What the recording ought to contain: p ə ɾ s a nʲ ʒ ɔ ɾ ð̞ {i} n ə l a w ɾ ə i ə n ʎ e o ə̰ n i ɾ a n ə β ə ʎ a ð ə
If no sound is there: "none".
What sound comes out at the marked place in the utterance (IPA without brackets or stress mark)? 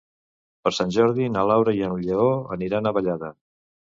i